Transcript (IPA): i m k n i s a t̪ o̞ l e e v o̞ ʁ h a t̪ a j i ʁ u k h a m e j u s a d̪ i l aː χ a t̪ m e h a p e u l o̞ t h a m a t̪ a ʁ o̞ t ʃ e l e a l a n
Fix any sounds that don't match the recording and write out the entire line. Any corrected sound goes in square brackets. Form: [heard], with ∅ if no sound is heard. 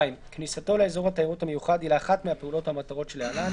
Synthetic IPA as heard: i m k n i s a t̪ o̞ l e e [z] o̞ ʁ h a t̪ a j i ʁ u [t] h a m e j u [χ] a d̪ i l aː χ a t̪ m e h a p e u l o̞ t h a m a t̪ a ʁ o̞ t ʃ e l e a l a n